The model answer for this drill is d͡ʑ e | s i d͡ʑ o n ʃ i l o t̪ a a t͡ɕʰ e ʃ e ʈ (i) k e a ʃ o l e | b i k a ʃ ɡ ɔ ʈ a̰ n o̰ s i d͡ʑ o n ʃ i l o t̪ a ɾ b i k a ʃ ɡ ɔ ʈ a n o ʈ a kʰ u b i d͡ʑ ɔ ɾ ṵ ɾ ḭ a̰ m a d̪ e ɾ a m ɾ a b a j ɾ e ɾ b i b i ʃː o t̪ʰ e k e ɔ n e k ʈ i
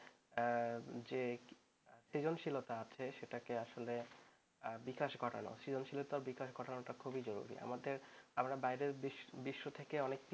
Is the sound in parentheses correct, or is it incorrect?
incorrect